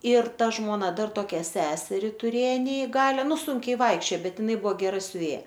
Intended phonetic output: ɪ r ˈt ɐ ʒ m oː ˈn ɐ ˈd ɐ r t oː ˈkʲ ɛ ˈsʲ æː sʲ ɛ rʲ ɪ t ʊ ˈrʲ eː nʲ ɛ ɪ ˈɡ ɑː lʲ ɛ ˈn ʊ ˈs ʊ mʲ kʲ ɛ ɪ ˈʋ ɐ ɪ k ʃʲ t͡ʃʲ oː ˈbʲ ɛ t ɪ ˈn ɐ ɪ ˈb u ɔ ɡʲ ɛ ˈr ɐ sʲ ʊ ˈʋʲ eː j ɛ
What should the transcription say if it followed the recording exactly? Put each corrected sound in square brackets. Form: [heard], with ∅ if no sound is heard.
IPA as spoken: ɪ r ˈt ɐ ʒ m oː ˈn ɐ ˈd ɐ r t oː ˈkʲ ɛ ˈsʲ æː sʲ ɛ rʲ ɪ t ʊ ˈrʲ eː nʲ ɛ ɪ ˈɡ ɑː lʲ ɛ ˈn ʊ ˈs ʊ [ŋʲ] kʲ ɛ ɪ ˈʋ ɐ ɪ k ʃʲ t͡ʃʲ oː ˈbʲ ɛ t ɪ ˈn ɐ ɪ ˈb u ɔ ɡʲ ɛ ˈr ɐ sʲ ʊ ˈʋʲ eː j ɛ